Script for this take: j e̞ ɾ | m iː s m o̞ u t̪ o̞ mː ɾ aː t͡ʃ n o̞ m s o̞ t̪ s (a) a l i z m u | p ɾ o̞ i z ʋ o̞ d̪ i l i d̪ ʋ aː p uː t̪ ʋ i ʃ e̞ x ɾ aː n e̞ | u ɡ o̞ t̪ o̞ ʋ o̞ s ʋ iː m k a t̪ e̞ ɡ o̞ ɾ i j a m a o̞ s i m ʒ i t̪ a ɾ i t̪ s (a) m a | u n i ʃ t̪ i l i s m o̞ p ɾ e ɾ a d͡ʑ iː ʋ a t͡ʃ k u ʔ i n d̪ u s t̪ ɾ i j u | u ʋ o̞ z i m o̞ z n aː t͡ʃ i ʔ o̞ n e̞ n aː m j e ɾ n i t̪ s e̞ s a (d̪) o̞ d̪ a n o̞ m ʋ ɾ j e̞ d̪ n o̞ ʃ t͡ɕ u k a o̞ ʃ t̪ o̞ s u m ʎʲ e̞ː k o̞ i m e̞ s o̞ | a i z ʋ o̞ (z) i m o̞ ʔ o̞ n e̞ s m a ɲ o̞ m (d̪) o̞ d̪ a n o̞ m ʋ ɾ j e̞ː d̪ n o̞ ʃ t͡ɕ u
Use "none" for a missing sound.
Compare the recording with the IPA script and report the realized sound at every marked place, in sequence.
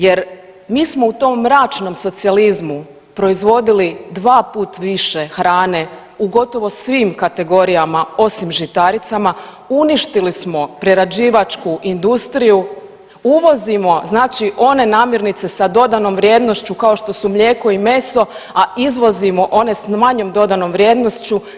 i, a, d̪, z, d̪

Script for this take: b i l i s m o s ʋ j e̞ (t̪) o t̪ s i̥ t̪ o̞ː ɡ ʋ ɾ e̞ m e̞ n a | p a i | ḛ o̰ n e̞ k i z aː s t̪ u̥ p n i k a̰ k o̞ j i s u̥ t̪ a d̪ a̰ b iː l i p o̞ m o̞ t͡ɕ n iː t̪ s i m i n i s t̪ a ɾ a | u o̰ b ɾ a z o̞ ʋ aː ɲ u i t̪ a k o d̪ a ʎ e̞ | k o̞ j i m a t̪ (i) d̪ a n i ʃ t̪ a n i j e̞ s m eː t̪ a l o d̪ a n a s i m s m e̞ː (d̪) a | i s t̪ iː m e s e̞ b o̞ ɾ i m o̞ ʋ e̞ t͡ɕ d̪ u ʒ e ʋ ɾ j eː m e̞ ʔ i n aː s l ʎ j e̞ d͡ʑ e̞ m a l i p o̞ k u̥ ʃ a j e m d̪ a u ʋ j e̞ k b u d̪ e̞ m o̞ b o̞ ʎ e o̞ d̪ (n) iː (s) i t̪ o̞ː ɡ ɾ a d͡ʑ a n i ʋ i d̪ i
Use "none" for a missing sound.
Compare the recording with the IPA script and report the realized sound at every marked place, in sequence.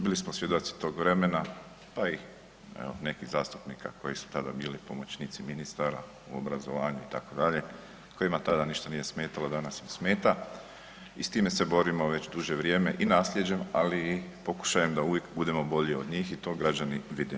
d̪, a, t̪, ɲ, x

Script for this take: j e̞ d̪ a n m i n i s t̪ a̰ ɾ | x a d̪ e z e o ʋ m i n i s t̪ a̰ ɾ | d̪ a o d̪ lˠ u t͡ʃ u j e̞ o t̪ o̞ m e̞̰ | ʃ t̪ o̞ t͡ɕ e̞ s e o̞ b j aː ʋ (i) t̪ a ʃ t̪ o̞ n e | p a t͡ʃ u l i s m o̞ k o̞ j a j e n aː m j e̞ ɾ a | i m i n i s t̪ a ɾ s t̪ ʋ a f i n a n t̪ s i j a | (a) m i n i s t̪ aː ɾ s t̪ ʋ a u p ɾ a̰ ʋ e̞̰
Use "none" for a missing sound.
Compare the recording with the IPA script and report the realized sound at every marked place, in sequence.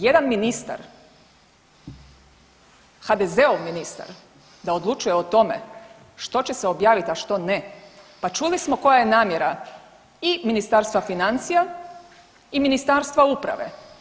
i, i

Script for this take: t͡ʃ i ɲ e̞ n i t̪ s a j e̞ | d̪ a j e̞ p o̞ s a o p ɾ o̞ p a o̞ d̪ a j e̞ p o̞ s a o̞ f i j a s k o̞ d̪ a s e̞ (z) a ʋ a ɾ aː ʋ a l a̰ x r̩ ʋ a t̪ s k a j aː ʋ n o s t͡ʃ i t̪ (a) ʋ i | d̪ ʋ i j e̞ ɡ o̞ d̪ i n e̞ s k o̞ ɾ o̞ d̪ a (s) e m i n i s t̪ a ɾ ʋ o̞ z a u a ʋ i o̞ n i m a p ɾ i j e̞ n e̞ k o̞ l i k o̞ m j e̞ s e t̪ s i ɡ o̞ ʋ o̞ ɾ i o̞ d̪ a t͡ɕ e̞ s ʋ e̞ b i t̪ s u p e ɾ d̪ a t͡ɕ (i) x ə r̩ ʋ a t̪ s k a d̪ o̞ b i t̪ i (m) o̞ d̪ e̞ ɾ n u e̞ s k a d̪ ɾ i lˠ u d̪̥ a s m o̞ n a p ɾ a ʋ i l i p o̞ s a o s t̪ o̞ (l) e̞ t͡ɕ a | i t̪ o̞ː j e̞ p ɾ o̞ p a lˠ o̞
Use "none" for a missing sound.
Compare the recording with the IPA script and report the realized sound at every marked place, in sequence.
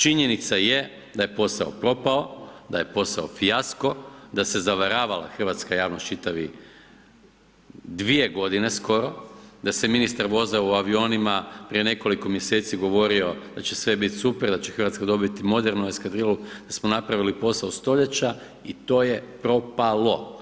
z, a, s, e, m, ʎ

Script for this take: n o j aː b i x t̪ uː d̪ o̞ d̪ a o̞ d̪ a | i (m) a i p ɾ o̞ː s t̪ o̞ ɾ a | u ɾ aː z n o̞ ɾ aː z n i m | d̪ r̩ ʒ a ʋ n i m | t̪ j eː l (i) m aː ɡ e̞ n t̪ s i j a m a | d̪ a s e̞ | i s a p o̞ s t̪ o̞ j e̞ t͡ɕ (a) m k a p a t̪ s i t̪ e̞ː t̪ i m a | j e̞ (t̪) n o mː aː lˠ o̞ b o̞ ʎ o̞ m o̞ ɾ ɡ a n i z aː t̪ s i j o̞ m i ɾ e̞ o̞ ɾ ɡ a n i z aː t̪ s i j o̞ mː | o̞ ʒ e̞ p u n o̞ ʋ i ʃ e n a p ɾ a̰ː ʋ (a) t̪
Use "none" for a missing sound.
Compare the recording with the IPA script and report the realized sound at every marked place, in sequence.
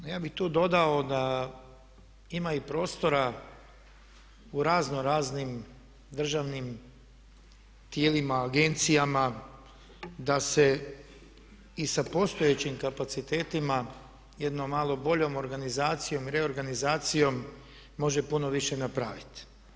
m, i, i, d̪, i

